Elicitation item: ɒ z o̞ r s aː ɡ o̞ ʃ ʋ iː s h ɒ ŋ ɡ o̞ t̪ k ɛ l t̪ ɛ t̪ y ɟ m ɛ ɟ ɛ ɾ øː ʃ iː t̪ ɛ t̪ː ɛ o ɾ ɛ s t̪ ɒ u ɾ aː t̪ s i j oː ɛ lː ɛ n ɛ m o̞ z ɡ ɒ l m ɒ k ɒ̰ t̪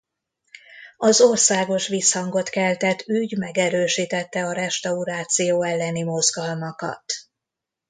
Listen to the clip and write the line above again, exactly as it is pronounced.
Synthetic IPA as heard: ɒ z o̞ r s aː ɡ o̞ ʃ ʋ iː s h ɒ ŋ ɡ o̞ t̪ k ɛ l t̪ ɛ t̪ y ɟ m ɛ ɡ ɛ ɾ øː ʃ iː t̪ ɛ t̪ː ɛ ɒ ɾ ɛ ʃ t̪ ɒ u ɾ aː t̪ s i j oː ɛ lː ɛ n i m o̞ z ɡ ɒ l m ɒ k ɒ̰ t̪